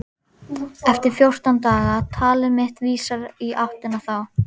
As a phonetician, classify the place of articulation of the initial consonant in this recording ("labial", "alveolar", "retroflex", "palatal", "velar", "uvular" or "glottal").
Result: labial